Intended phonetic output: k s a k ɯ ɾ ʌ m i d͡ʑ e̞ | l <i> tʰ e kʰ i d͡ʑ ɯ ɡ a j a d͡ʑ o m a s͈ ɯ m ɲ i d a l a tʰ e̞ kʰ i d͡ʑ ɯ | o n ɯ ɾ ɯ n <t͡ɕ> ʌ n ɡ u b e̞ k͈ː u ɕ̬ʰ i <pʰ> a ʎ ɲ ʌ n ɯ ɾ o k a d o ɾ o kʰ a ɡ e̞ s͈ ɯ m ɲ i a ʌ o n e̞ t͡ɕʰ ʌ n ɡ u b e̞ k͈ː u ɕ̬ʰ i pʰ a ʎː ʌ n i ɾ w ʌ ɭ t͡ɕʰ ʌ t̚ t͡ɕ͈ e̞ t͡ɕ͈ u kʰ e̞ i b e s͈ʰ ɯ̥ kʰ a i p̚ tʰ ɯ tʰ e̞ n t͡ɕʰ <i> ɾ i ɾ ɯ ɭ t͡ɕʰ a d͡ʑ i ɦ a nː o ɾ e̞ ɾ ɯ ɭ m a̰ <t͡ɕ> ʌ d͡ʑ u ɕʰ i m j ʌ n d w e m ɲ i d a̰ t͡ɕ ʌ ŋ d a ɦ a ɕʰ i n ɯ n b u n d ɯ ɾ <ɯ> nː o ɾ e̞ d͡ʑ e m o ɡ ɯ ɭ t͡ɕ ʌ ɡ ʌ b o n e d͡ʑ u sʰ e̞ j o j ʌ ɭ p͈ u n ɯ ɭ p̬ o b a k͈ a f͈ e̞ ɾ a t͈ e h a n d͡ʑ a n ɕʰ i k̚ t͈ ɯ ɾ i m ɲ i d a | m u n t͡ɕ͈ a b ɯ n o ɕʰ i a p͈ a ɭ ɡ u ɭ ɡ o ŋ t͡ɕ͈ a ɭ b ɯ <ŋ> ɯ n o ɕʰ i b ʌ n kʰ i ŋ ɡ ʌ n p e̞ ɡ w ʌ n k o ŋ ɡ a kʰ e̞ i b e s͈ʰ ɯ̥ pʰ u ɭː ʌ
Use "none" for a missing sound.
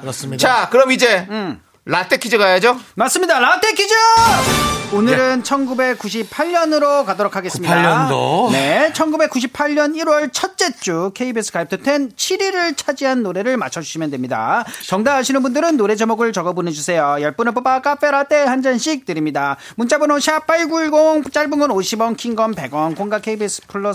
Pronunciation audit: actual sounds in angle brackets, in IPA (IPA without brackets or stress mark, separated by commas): a, t͡ɕʰ, pʰ, i, t͡ɕʰ, ɯ, ŋ